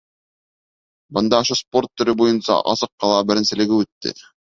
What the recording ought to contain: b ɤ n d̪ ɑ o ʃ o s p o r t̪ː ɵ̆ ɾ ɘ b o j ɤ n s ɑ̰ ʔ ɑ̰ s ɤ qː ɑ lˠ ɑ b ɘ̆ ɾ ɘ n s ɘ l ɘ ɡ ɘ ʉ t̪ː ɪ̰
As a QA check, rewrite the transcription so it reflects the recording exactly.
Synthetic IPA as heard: b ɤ n d̪ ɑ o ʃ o s p o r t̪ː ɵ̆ ɾ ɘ b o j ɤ n s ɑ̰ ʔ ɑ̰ s ɤ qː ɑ lˠ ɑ b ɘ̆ ɾ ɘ n s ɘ l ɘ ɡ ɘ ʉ t̪ː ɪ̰